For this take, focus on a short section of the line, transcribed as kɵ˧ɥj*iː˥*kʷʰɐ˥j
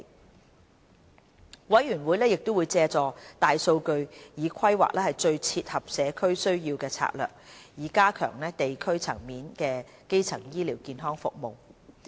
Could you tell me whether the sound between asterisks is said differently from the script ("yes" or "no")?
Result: yes